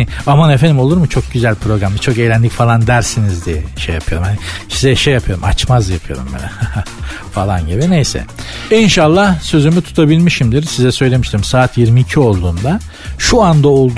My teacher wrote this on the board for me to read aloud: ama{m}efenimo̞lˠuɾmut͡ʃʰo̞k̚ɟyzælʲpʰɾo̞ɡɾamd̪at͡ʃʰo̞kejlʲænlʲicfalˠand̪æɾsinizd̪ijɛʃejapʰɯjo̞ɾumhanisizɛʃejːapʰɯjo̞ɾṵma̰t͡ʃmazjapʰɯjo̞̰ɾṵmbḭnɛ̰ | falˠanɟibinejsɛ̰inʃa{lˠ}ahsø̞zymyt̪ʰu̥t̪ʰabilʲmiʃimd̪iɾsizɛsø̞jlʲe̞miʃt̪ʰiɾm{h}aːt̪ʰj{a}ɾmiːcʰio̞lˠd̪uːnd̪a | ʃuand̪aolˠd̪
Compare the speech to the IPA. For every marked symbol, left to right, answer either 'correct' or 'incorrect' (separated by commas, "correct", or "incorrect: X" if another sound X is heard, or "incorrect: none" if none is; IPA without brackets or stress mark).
incorrect: n, incorrect: lˠː, incorrect: s, incorrect: i